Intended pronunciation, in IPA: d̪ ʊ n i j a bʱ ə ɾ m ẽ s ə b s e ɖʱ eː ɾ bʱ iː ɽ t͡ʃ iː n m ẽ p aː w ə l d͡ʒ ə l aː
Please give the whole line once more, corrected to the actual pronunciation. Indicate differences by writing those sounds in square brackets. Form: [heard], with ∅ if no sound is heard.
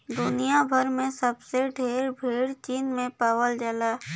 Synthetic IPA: d̪ ʊ n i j a bʱ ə ɾ m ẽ s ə b s e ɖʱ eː ɾ bʱ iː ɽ t͡ʃ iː n m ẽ p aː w ə l d͡ʒ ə l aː